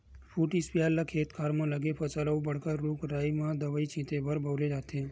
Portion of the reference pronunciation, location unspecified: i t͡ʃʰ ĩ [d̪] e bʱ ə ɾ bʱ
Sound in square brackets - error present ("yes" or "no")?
yes